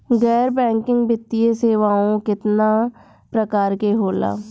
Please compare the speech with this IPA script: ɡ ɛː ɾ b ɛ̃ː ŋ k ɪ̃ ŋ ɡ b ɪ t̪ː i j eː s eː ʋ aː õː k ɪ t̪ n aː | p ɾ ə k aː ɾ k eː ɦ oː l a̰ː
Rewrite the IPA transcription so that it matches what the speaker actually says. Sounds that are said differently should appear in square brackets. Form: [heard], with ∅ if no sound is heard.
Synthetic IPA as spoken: ɡ ɛː ɾ b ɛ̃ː ŋ k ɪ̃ ŋ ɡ b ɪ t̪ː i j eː s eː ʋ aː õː k ɪ t̪ n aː | p ɾ ə k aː ɾ k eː ɦ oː l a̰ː